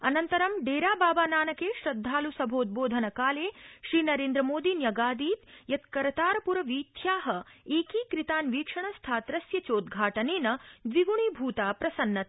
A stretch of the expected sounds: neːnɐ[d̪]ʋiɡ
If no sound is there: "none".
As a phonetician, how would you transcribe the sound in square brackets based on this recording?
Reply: d̪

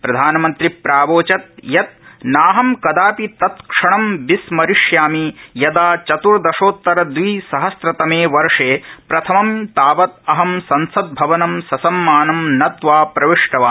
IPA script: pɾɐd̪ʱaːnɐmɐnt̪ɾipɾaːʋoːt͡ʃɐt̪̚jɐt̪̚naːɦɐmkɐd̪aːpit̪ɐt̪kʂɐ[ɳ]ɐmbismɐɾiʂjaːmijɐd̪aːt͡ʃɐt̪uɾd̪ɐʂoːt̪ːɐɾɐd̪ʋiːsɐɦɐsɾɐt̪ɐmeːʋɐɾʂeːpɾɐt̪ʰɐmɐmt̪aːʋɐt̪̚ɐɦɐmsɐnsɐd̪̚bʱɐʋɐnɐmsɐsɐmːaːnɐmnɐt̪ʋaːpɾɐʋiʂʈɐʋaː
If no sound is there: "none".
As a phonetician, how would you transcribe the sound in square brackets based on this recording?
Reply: ɳ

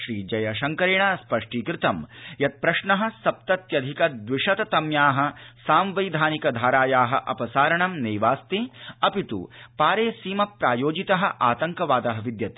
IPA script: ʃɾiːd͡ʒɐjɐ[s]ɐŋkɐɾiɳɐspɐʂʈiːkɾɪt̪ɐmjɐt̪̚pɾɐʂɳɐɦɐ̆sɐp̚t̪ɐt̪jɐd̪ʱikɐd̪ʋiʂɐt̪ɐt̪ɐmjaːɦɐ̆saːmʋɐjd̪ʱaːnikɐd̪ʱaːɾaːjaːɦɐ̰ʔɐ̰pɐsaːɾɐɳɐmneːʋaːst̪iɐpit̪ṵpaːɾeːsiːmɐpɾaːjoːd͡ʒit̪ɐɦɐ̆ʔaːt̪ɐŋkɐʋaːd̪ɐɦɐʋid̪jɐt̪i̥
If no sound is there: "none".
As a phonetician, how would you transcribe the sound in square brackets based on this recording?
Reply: ʃ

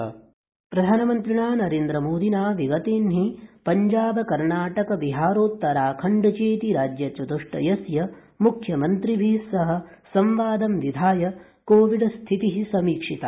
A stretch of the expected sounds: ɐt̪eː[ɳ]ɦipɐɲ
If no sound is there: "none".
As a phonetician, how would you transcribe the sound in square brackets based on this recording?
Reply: n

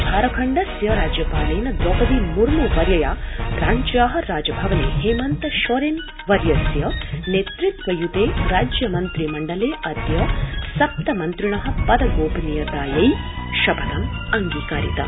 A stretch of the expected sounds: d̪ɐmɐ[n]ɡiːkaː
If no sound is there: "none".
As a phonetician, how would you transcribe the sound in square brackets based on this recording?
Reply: ŋ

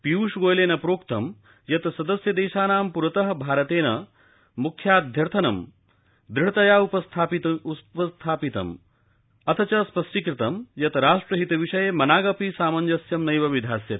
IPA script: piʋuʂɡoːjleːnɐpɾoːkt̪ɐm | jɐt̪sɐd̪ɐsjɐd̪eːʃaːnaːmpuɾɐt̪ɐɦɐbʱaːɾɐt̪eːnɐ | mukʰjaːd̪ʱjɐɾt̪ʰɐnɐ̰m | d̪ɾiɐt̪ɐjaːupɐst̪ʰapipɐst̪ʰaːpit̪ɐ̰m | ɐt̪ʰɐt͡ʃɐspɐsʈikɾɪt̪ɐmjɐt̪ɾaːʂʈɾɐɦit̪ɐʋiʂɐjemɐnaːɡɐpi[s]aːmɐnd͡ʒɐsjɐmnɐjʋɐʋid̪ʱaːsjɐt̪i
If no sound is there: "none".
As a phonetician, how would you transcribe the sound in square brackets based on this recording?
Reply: s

